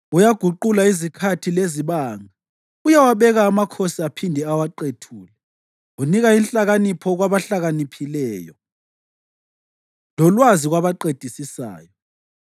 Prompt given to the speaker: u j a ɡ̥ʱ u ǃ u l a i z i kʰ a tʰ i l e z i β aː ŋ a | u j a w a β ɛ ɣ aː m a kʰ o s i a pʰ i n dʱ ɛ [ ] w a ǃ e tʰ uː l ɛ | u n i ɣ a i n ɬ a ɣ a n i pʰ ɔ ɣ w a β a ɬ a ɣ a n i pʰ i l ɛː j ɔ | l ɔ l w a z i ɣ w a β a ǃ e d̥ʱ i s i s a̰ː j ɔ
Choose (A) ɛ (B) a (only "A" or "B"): B